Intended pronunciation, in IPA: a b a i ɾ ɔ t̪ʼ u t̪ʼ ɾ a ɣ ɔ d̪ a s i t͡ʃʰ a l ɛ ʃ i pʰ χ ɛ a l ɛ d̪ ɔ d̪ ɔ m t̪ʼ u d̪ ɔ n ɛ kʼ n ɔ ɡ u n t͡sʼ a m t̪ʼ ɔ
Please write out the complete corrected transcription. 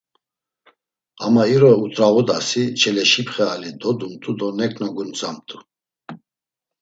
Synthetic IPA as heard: a m a i ɾ ɔ u t̪ʼ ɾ a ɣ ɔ d̪ a s i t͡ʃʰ ɛ l ɛ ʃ i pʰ χ ɛ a l i d̪ ɔ d̪ u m t̪ʼ u d̪ ɔ n ɛ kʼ n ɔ ɡ u n t͡sʼ a m t̪ʼ u